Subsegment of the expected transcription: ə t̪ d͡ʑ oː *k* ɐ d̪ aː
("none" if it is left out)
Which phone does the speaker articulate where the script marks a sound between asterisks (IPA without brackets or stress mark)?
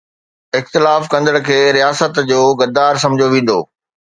ɡ